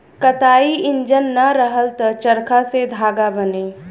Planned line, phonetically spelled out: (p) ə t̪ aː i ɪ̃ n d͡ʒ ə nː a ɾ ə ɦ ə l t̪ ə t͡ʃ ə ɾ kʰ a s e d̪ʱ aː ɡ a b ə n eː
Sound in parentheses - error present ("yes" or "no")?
yes